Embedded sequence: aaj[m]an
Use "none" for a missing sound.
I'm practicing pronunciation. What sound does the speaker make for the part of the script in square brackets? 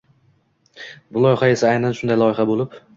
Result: n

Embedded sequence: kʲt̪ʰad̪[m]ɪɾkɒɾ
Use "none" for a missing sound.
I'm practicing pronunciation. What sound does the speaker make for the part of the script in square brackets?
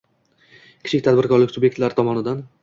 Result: b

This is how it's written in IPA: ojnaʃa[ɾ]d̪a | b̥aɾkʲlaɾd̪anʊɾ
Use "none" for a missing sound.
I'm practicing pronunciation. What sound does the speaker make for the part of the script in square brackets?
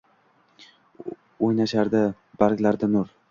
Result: ɾ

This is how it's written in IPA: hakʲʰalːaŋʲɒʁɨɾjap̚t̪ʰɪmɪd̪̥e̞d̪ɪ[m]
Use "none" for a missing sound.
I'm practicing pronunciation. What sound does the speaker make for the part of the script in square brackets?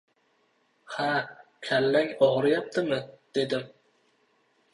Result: m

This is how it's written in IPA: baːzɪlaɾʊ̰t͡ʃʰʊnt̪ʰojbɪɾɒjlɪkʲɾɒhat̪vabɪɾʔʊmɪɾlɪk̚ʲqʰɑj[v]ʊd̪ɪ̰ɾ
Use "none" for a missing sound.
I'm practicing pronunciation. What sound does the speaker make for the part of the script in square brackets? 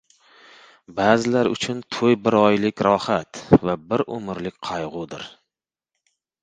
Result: ʁ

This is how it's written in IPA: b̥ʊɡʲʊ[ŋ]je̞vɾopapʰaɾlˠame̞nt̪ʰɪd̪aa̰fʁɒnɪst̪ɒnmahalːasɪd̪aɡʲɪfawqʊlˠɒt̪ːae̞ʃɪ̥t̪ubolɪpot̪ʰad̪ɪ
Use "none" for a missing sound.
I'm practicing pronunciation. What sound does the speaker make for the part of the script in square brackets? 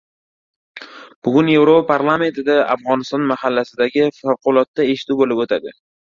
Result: n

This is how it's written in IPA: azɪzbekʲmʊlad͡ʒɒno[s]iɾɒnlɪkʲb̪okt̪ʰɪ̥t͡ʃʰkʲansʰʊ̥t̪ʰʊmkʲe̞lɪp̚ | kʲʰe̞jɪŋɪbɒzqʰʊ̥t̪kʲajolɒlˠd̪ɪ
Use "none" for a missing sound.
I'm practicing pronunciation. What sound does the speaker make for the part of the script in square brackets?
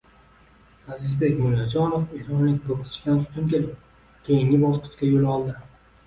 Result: f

